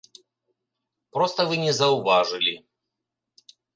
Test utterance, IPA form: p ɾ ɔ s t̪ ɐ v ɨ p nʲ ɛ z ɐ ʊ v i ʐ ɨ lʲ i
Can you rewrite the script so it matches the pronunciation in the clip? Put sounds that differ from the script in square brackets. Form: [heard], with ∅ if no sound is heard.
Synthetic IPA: p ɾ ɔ s t̪ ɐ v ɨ [∅] nʲ ɛ z ɐ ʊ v [a] ʐ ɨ lʲ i